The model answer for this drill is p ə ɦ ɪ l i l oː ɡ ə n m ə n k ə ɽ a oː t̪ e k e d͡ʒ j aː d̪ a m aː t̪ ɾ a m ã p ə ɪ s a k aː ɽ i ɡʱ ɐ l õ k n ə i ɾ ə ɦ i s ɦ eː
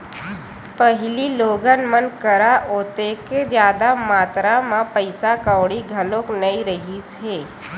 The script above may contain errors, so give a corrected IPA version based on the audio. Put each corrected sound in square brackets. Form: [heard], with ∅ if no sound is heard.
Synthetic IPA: p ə ɦ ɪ l i l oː ɡ ə n m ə n k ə [ɾ] a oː t̪ e k e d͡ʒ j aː d̪ a m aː t̪ ɾ a m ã p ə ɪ s a k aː ɽ i ɡʱ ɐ l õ k n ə i ɾ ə ɦ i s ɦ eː